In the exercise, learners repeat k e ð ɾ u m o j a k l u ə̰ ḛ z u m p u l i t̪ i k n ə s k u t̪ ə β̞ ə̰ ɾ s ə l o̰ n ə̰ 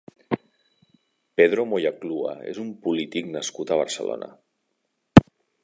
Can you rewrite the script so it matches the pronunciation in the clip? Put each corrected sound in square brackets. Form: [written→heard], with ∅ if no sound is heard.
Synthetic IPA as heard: [k→p] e ð ɾ [u→o] m o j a k l u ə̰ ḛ z u m p u l i t̪ i k n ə s k u t̪ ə β̞ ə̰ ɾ s ə l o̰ n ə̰